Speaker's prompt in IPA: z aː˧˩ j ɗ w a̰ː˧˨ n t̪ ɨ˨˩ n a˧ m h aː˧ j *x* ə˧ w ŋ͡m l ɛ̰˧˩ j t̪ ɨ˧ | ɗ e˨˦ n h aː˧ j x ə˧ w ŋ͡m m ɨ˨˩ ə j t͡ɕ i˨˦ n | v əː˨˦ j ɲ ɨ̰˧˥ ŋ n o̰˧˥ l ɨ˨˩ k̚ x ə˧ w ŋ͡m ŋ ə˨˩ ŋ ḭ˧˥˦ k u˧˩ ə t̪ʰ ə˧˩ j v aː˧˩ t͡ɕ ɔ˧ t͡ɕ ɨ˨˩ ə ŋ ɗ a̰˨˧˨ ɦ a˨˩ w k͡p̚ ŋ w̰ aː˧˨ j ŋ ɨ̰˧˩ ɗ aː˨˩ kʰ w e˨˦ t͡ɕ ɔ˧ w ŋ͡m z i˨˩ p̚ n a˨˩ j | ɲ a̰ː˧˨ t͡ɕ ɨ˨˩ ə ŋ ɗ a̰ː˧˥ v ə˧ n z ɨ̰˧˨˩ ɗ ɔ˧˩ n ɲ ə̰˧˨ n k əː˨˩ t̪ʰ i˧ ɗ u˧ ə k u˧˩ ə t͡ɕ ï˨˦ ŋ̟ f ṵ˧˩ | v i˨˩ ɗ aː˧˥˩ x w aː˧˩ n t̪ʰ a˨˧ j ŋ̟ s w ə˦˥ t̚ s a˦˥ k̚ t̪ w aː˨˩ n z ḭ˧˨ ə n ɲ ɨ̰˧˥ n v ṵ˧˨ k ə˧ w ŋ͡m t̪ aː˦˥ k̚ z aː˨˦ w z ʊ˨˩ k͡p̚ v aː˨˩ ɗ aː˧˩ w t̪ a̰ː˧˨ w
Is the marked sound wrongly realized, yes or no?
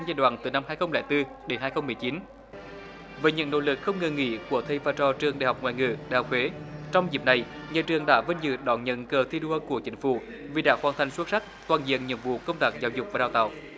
no